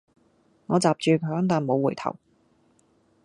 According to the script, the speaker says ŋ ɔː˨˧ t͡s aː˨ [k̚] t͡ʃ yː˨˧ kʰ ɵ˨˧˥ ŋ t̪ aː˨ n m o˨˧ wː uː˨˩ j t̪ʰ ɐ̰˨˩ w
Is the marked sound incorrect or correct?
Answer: incorrect